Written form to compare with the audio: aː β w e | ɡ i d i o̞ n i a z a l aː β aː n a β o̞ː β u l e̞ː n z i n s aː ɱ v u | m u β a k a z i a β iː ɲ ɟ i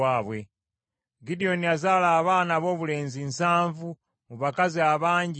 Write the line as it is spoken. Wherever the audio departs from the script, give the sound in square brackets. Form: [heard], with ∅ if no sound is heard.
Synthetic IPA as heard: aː β w e | ɡ i d i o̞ n i a z a l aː β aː n a β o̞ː β u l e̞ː n z i n s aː ɱ v u | m u β a k a z i a β [aː] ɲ ɟ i

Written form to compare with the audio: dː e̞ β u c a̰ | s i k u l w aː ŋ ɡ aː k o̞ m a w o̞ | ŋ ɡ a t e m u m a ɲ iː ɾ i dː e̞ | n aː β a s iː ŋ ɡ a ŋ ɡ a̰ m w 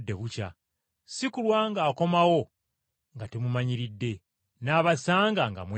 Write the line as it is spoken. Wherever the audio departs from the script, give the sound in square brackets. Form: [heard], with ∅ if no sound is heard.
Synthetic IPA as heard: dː e̞ β u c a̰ | s i k u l w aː ŋ ɡ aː k o̞ m a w o̞ | ŋ ɡ a t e m u m a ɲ [i] ɾ i dː e̞ | n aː β a s [aː] ŋ ɡ a ŋ ɡ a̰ m w

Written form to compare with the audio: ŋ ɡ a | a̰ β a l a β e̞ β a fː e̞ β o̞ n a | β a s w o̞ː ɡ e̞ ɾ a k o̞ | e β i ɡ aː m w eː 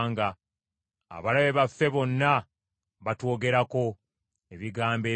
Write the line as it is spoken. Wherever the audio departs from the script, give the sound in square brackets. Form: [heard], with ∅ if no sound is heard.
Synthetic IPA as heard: ŋ ɡ a | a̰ β a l a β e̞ β a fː e̞ β o̞ [nː] a | β a [t] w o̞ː ɡ e̞ ɾ a k o̞ | e β i ɡ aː m [b] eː

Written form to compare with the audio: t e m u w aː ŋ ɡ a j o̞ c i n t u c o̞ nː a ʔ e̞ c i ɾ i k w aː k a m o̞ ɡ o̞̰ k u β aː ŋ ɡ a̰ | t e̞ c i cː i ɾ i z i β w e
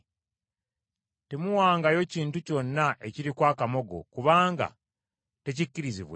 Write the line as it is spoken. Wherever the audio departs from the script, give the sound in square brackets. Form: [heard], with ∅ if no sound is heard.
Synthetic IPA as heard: t e m u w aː ŋ ɡ a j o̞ c [iː] n t u c o̞ nː a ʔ e̞ c i ɾ i k w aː k a m o̞ ɡ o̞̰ k u β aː ŋ ɡ a̰ | t e̞ c i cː i ɾ i z i β w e

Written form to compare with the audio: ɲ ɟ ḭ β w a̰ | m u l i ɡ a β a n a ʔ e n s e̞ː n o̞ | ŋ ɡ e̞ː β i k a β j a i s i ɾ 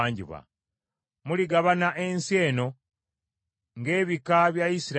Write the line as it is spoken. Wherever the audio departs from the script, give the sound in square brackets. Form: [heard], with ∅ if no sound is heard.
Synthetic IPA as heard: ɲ ɟ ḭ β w a̰ | m u l i ɡ a β a n a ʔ e n s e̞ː n o̞ | ŋ ɡ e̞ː β i k a β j a i s i ɾ

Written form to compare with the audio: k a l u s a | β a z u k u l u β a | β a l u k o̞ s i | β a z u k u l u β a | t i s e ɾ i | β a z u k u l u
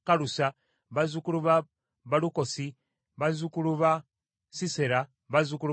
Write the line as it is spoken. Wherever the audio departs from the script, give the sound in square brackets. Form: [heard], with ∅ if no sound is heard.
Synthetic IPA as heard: k a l u s a | β a z u k u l u β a | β a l u k o̞ s i | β a z u k u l u β a | [s] i s e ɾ [a] | β a z u k u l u

